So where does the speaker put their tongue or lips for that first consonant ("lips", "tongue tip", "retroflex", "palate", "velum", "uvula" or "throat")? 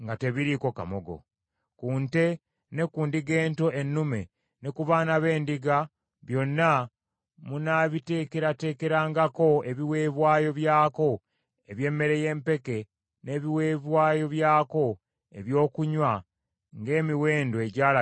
velum